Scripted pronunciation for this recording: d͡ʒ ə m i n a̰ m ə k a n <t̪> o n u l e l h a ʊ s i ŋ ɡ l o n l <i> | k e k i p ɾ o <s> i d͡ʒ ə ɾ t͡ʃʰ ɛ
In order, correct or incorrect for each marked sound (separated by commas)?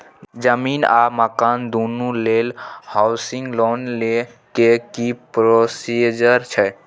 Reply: incorrect, incorrect, correct